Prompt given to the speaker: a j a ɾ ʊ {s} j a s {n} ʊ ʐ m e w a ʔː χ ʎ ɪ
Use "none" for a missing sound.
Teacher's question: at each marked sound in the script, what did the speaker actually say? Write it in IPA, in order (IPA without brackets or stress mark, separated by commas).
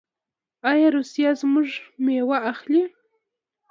s, m